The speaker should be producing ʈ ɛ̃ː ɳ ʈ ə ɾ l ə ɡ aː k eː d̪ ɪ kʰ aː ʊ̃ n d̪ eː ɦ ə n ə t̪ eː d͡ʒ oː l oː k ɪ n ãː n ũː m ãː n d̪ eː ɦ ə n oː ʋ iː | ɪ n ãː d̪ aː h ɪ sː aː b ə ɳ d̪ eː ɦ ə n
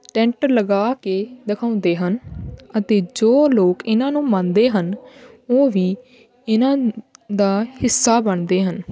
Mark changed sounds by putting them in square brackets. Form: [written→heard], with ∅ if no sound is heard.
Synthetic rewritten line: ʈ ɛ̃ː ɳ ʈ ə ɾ l ə ɡ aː k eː d̪ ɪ kʰ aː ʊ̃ n d̪ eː ɦ ə n ə t̪ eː d͡ʒ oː l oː k ɪ n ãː n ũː m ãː n d̪ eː ɦ ə n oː ʋ iː | ɪ n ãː d̪ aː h ɪ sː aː b ə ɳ d̪ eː ɦ ə n